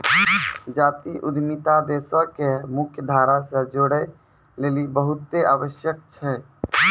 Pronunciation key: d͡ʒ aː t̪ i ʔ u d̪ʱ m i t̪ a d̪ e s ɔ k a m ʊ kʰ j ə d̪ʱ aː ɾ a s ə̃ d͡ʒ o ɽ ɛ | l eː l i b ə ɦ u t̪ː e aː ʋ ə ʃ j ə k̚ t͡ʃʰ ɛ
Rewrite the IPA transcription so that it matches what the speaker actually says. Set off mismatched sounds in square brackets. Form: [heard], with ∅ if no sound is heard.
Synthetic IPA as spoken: d͡ʒ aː t̪ i ʔ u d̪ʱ m i t̪ a d̪ e s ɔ k [e] m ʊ kʰ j ə d̪ʱ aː ɾ a s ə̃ d͡ʒ o ɽ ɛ | l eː l i b ə ɦ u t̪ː e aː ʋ ə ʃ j ə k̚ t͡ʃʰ ɛ